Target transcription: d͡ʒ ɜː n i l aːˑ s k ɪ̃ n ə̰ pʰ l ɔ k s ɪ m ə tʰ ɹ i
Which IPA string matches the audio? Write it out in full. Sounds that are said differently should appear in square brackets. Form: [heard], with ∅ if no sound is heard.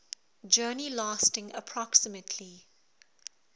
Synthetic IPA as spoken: d͡ʒ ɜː n i l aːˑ s [t] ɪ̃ [ŋ] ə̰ pʰ [ɹ] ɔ k s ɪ m ə tʰ [l] i